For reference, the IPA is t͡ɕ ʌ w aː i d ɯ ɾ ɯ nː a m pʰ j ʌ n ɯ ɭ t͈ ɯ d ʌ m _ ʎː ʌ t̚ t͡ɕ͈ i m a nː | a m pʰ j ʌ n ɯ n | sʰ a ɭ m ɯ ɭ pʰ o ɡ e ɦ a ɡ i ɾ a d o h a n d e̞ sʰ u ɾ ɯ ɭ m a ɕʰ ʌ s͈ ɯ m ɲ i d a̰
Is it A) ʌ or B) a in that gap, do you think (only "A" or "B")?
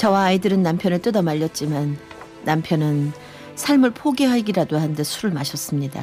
B